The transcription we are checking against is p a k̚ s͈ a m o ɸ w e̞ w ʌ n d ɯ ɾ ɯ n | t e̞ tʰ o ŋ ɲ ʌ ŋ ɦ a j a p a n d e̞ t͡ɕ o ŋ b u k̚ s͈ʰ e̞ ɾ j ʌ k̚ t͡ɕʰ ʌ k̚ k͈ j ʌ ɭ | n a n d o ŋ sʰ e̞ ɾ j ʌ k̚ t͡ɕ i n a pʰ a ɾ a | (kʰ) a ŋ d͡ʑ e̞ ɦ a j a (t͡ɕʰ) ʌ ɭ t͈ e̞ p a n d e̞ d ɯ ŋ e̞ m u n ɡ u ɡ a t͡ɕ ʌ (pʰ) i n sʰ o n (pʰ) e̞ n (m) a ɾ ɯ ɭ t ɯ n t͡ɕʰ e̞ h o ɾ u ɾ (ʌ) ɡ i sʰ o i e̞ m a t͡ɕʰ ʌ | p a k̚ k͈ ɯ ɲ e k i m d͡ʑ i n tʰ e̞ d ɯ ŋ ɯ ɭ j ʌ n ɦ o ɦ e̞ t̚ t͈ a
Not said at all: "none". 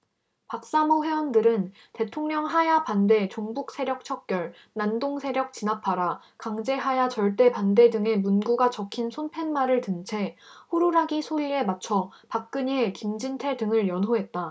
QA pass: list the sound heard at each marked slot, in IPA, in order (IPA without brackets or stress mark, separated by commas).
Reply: k, t͡ɕ, kʰ, pʰ, m, a